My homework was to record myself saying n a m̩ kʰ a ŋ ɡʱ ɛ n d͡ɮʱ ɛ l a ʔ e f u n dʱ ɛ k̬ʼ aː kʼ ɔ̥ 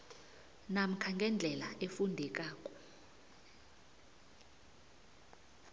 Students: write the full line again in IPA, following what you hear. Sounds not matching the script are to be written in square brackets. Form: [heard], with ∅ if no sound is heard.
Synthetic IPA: n a m̩ kʰ a ŋ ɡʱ ɛ n d͡ɮʱ ɛ l a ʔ e f u n dʱ ɛ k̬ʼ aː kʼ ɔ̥